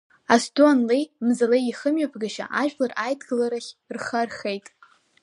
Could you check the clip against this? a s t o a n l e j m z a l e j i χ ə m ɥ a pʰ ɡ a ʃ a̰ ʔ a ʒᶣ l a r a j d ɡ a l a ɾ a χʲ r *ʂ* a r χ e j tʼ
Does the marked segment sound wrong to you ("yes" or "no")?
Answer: yes